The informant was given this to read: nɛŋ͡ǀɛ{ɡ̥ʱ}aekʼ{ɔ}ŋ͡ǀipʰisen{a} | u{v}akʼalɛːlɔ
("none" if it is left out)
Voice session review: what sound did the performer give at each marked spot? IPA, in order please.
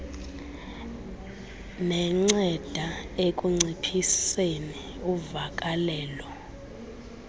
d̥ʱ, u, i, v

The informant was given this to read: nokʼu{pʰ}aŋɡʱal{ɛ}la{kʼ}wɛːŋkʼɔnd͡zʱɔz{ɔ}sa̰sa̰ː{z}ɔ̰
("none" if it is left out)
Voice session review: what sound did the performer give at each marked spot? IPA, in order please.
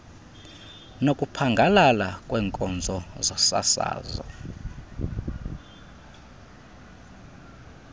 pʰ, a, kʼ, ɔ, z

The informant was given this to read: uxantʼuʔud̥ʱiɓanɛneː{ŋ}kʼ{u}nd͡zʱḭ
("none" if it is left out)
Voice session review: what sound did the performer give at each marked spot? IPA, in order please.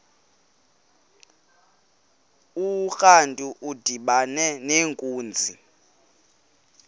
ŋ, uː

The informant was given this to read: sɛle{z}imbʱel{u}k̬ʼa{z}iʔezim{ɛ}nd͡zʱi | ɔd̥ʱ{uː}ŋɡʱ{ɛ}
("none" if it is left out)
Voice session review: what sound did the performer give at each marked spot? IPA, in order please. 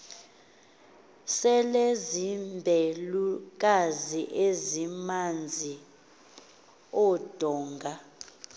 z, u, z, a, ɔː, a

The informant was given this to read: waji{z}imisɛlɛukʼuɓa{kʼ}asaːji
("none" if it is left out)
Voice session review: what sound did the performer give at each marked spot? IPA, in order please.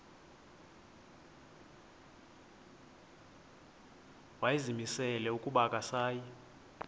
z, kʼ

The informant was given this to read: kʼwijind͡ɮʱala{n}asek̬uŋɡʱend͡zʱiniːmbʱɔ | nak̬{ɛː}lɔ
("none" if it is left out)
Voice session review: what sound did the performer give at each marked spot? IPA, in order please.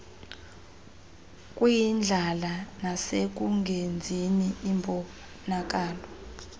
n, aː

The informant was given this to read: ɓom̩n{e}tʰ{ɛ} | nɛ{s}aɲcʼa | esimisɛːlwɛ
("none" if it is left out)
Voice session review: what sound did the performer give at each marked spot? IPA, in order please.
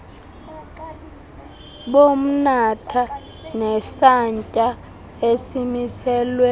a, a, s

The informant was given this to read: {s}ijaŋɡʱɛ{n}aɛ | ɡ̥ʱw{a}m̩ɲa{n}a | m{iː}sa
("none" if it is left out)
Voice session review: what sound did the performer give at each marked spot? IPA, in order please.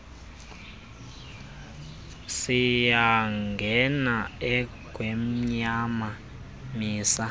s, n, e, m, iː

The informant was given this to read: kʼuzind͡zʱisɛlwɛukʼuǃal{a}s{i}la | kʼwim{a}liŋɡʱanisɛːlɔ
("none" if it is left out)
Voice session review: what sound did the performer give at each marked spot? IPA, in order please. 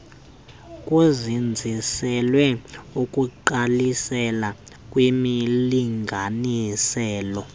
i, ɛ, i

